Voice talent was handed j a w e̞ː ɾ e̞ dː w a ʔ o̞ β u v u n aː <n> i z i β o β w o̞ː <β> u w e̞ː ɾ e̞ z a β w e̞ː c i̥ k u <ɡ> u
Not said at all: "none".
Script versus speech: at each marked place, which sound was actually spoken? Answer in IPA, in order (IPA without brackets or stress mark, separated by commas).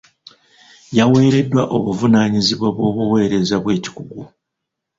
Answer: ɲ, β, ɡ